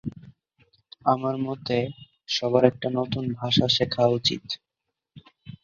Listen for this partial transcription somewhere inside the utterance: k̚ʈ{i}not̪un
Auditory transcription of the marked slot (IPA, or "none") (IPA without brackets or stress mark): a